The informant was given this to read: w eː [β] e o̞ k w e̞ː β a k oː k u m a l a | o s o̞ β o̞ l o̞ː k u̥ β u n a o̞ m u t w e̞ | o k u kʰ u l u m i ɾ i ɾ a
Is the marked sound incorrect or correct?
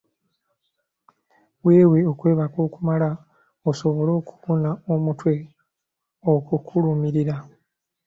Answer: incorrect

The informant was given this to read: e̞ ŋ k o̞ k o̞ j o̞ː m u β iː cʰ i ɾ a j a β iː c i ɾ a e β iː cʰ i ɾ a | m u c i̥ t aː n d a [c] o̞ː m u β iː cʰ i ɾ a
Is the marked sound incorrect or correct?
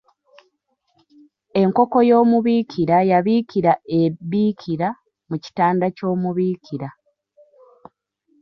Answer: correct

